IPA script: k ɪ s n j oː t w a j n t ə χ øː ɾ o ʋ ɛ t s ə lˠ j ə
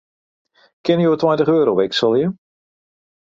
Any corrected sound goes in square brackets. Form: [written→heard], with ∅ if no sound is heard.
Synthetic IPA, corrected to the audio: k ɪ [s→∅] n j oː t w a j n t ə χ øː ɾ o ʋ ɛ [t→k] s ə lˠ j ə